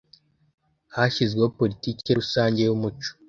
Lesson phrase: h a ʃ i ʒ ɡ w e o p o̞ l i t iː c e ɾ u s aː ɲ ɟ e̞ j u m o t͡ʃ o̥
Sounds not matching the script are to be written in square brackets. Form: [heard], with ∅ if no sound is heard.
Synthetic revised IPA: h a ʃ i [z] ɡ w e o p o̞ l i t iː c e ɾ u s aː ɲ ɟ e̞ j u m [u] t͡ʃ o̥